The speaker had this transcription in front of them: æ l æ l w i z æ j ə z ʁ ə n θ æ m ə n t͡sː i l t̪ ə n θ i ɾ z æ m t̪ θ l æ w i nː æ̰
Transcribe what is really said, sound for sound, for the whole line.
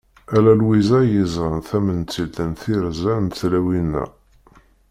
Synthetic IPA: æ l æ l w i z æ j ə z ʁ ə n θ æ m ə n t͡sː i l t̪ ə n θ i ɾ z æ n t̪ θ l æ w i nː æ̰